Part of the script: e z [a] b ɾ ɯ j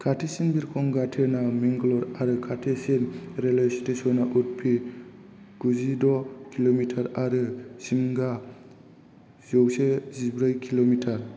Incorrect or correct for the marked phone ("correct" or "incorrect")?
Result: incorrect